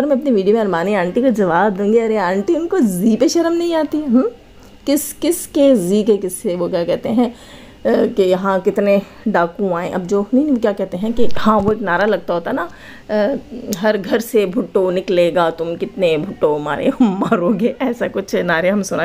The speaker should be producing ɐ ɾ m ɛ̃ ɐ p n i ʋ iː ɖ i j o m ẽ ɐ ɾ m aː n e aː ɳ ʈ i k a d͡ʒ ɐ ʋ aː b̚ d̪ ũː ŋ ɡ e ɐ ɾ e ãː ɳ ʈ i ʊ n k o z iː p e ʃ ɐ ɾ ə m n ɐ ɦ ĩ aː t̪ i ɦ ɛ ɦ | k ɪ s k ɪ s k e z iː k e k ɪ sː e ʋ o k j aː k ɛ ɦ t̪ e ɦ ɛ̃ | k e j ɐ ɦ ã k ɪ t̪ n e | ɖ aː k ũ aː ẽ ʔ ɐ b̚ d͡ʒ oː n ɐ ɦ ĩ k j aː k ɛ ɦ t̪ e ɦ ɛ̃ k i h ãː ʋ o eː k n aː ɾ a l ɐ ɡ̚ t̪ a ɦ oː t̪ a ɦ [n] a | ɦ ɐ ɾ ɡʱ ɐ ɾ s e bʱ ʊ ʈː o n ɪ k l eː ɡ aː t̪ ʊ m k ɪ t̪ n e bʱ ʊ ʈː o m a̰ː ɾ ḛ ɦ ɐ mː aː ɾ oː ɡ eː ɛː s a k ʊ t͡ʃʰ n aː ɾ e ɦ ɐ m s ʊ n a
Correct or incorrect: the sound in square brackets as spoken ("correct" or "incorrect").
correct